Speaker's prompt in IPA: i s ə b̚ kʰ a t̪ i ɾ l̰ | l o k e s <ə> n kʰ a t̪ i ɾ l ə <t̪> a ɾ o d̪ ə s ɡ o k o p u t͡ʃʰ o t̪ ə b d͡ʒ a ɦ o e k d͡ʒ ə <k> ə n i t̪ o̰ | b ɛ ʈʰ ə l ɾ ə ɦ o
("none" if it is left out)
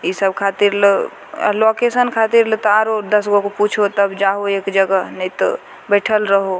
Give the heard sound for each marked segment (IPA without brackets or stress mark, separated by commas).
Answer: ə, t̪, ɡ